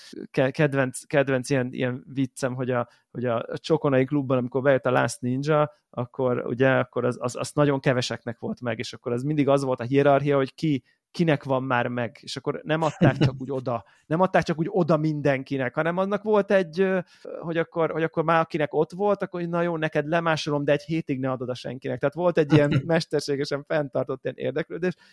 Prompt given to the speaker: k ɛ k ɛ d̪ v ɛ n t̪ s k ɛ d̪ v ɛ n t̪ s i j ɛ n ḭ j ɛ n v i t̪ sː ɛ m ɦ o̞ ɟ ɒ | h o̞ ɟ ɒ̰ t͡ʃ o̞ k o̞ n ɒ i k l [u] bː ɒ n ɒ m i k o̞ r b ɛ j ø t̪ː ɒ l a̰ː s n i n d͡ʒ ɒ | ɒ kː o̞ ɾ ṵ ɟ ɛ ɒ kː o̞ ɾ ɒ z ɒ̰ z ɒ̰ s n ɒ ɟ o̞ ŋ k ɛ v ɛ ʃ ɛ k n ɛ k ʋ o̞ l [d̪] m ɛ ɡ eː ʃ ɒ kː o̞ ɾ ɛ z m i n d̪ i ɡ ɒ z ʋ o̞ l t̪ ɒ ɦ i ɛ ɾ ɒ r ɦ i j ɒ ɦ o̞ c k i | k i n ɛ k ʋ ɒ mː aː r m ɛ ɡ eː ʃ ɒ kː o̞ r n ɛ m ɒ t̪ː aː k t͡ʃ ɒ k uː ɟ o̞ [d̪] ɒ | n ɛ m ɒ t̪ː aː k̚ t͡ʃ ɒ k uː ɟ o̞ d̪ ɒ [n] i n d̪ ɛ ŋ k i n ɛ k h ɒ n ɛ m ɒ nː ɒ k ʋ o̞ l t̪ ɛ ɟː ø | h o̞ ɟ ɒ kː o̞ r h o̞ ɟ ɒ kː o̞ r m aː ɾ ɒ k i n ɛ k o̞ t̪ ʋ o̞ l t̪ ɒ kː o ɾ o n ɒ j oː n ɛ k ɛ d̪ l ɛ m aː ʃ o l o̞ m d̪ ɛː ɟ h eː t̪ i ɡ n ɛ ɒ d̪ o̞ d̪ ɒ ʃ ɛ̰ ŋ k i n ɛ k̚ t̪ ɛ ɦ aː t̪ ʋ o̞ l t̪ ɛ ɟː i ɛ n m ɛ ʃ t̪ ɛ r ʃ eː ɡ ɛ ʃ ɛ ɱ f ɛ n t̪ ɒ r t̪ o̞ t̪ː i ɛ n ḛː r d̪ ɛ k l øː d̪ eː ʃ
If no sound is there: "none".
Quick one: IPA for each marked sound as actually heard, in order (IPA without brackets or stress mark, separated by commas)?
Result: u, t̪, d̪, m